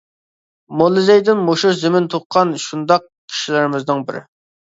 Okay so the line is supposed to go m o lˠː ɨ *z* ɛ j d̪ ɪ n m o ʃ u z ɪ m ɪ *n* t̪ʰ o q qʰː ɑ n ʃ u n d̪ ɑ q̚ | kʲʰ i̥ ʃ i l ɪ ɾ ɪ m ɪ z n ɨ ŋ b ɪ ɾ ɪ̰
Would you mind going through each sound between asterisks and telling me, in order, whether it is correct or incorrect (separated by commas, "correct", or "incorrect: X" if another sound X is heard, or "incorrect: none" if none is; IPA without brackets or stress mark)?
correct, correct